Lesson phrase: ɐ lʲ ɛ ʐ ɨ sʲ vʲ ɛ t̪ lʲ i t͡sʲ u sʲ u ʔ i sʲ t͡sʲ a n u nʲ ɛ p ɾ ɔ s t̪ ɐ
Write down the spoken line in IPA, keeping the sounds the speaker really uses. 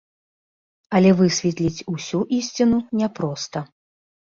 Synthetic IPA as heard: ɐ lʲ ɛ v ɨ sʲ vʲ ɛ t̪ lʲ i t͡sʲ u sʲ u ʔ i sʲ t͡sʲ i n u nʲ ɛ p ɾ ɔ s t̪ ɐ